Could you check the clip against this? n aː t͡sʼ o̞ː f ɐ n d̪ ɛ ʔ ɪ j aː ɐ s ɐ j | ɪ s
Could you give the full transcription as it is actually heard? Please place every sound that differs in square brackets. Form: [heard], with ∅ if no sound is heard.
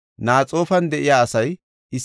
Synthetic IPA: n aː t͡sʼ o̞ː f ɐ n d̪ ɛ ʔ ɪ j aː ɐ s ɐ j | ɪ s

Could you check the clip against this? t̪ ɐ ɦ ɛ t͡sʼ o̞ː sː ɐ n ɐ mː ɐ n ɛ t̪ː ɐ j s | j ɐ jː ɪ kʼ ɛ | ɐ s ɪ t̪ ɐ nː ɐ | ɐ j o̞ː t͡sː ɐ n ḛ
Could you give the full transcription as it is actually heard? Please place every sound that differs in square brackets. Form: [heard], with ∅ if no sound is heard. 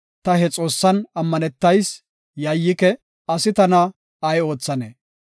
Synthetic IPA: t̪ ɐ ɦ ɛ t͡sʼ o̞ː sː ɐ n ɐ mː ɐ n ɛ t̪ː ɐ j s | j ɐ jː ɪ [k] ɛ | ɐ s ɪ t̪ ɐ [n] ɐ | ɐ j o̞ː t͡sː ɐ n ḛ

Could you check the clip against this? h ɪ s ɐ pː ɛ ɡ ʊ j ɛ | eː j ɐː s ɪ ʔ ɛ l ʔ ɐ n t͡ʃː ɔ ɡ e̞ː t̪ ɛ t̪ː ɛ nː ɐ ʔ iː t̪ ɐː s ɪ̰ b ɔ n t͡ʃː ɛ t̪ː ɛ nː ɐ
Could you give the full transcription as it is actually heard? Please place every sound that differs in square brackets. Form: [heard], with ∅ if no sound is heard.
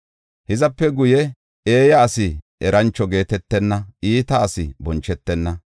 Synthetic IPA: h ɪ [z] ɐ pː ɛ ɡ ʊ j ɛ | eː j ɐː s ɪ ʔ ɛ [ɾ] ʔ ɐ n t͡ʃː ɔ ɡ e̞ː t̪ ɛ t̪ː ɛ nː ɐ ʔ iː t̪ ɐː s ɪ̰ b ɔ n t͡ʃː ɛ t̪ː ɛ nː ɐ

